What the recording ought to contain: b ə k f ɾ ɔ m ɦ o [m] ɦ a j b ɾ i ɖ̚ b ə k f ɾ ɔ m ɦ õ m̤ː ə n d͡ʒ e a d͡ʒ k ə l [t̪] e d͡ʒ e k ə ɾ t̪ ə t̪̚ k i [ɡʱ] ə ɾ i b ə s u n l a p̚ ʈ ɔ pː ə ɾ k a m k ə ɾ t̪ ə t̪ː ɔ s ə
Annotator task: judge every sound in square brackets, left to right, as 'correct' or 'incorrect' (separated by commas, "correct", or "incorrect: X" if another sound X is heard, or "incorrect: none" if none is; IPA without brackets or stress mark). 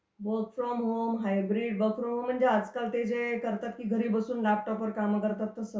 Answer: correct, correct, correct